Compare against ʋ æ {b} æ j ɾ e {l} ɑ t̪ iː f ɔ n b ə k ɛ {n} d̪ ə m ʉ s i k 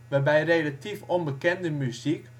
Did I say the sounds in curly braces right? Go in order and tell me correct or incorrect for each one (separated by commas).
correct, correct, correct